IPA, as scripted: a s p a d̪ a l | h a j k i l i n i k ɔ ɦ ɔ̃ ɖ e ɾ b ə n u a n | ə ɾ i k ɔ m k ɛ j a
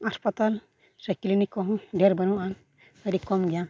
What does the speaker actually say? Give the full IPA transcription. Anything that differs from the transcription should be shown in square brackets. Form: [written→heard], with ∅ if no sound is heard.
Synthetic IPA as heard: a s p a [d̪→t̪] a l | [h→s] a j k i l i n i k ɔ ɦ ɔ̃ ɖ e ɾ b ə n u a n | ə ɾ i k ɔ m [k→ɡ] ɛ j a